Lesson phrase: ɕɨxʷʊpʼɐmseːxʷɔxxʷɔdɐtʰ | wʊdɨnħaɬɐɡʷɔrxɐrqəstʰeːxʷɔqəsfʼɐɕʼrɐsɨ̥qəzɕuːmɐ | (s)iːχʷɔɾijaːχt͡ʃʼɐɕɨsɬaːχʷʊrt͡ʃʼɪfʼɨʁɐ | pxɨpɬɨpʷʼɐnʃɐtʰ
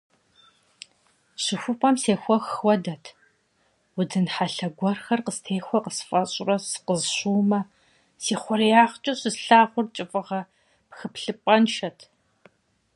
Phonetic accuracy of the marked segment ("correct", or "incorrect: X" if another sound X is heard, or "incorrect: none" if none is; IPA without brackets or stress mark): correct